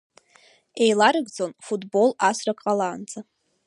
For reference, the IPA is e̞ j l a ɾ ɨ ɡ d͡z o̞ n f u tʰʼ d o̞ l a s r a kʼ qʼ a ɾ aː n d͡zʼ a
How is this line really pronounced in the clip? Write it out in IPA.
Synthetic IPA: e̞ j l a ɾ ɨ ɡ d͡z o̞ n f u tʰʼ b o̞ l a s r a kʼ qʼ a l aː n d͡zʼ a